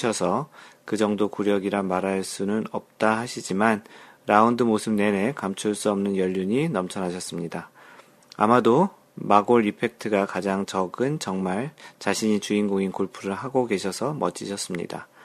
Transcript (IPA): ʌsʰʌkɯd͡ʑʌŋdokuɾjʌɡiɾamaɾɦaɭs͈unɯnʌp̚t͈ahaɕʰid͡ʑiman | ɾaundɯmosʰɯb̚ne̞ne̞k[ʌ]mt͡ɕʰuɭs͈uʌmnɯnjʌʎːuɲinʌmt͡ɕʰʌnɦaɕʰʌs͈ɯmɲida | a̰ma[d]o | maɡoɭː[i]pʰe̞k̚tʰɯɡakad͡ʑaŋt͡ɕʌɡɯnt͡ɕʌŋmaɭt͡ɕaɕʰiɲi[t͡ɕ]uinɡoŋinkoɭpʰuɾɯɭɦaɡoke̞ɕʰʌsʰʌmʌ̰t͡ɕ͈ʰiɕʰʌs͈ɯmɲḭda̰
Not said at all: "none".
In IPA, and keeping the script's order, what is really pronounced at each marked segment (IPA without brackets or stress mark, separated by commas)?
a, d, i, t͡ɕ